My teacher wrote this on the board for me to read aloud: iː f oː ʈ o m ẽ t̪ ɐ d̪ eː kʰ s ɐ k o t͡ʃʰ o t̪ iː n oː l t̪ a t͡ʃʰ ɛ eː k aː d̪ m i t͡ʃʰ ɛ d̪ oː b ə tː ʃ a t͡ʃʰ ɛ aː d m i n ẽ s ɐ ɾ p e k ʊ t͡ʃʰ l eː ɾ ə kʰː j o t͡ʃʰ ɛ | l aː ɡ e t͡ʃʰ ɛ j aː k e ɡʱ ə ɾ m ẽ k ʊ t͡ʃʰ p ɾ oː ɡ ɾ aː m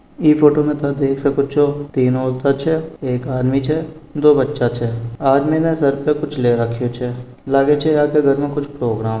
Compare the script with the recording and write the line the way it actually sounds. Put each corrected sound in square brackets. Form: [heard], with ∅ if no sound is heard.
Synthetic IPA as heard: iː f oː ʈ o m ẽ t̪ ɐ d̪ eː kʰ s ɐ k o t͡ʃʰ o t̪ iː n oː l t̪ a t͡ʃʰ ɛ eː k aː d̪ m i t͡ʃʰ ɛ d̪ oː b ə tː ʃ a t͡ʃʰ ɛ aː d m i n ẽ s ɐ ɾ p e k ʊ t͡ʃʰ l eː ɾ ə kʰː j o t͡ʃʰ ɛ | l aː ɡ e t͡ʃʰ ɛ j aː k e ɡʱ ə ɾ m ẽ k ʊ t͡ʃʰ p ɾ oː ɡ ɾ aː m